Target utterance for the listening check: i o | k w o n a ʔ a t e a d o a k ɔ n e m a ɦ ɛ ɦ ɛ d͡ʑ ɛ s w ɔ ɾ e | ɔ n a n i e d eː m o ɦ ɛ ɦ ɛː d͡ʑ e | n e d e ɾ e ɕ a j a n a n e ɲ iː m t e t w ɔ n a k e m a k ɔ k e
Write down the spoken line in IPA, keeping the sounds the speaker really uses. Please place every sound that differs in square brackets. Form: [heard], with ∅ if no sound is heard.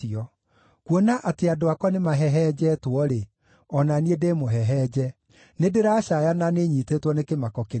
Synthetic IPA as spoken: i [ɔ] | k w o n a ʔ a t e a d o a k ɔ n e m a ɦ ɛ ɦ ɛ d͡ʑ ɛ [t] w ɔ ɾ e | ɔ n a n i e d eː m o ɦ ɛ ɦ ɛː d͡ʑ [ɛ] | n e d e ɾ [a] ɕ a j a n a n e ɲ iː [∅] t e t w ɔ n [e] k e m a k ɔ k e